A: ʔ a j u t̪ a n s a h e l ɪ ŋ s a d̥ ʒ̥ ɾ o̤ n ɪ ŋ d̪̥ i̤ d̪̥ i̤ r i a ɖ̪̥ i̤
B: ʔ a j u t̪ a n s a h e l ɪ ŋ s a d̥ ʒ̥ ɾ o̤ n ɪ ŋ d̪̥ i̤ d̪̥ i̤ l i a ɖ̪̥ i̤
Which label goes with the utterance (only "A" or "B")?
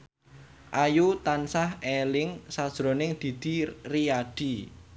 A